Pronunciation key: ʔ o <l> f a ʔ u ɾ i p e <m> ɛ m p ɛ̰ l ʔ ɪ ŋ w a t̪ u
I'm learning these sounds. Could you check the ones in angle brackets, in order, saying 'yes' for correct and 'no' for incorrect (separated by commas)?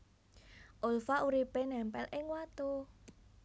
yes, no